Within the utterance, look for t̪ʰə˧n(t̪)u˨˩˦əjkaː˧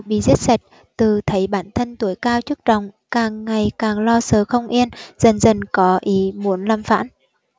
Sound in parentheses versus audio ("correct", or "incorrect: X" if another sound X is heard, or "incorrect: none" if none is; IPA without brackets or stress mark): correct